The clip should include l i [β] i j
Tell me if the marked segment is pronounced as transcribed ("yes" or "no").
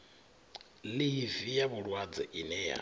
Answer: no